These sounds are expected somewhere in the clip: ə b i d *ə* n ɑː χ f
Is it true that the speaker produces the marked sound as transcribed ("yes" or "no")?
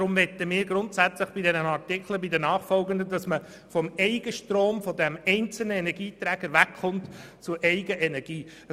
yes